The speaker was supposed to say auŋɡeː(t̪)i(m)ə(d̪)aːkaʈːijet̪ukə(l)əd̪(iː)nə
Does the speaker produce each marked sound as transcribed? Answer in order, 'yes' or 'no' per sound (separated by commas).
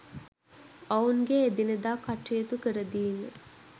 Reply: no, no, yes, no, yes